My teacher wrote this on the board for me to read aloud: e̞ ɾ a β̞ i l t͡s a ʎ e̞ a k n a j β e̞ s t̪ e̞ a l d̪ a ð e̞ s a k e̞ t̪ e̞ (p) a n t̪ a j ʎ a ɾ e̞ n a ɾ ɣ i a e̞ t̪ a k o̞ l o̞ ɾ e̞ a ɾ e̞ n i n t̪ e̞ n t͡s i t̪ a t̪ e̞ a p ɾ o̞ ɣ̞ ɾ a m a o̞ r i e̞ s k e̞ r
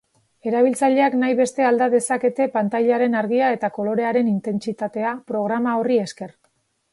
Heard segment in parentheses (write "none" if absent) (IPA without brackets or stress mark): p